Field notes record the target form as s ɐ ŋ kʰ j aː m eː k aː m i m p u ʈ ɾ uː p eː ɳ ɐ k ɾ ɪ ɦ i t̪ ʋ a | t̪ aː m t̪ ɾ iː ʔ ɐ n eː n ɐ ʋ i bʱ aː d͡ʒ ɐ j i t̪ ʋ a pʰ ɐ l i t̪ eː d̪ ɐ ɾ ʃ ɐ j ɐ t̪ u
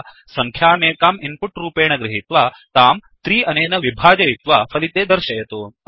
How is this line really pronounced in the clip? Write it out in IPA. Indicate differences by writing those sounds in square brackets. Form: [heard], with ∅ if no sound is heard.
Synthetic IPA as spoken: s ɐ ŋ kʰ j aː m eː k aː m i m p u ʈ ɾ uː p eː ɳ ɐ [ɡ] ɾ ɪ ɦ i t̪ ʋ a | t̪ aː m t̪ ɾ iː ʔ ɐ n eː n ɐ ʋ i bʱ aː d͡ʒ ɐ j i t̪ ʋ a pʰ ɐ l i t̪ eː d̪ ɐ ɾ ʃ ɐ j ɐ t̪ u